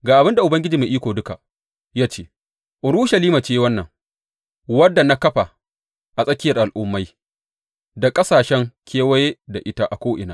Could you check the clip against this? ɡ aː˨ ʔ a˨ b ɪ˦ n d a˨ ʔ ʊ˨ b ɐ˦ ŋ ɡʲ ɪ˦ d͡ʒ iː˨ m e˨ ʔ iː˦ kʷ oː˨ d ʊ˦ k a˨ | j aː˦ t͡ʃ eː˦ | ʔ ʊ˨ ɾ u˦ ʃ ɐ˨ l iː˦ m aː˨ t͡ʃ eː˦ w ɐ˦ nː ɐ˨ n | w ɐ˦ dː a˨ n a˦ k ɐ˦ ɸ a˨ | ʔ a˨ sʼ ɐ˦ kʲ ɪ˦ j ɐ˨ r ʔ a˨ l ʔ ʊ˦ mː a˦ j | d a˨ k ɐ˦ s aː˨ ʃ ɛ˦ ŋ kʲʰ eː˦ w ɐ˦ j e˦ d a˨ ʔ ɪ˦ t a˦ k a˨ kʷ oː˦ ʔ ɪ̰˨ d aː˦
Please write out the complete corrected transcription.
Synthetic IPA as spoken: ɡ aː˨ ʔ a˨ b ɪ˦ n d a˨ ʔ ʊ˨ b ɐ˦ ŋ ɡʲ ɪ˦ d͡ʒ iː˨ m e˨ ʔ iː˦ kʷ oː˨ d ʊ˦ k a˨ | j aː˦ t͡ʃ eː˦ | ʔ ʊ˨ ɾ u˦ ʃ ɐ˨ l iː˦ m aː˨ t͡ʃ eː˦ w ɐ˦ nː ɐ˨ ŋ | w ɐ˦ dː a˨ n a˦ k ɐ˦ ɸ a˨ | ʔ a˨ sʼ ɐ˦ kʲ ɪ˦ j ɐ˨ r ʔ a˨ l ʔ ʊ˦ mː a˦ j | d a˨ kʼ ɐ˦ s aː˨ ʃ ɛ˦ ŋ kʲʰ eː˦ w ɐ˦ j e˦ d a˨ ʔ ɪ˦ t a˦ ʔ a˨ kʷ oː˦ ʔ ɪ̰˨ n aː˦